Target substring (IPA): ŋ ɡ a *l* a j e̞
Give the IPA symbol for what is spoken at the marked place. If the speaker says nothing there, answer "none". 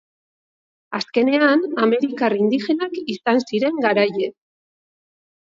ɾ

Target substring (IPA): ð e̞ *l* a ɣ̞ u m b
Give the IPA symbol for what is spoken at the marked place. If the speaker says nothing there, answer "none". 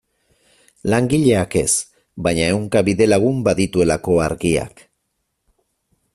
l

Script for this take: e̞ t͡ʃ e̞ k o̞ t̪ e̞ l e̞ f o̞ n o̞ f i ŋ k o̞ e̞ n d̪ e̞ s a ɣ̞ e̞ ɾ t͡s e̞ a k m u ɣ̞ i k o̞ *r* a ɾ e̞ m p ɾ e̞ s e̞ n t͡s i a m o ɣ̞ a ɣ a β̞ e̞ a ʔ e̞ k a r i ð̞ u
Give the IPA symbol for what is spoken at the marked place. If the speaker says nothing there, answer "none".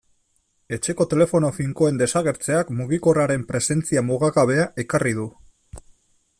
r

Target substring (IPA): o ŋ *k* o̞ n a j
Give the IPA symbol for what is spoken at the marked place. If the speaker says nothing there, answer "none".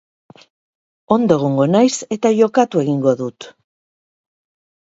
ɡ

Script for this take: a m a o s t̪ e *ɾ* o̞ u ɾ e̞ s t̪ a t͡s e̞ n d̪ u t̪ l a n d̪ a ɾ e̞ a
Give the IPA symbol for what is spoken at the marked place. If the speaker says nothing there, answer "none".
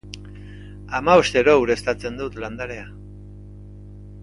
ɾ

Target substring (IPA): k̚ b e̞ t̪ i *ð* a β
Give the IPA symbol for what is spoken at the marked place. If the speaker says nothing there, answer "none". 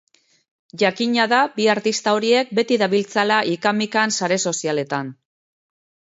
ð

